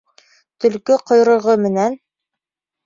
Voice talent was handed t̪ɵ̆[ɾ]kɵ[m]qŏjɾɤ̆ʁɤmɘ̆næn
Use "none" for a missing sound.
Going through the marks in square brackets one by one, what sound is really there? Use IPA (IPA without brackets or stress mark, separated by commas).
l, none